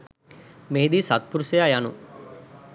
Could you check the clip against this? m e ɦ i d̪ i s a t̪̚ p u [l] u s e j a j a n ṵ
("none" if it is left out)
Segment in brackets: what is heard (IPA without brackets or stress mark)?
ɾ